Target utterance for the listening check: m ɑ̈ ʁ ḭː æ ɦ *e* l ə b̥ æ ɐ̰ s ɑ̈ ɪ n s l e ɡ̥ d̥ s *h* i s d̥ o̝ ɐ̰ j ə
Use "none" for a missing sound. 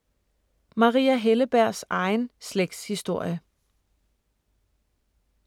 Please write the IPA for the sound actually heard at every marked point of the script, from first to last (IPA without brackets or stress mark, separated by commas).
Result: e, h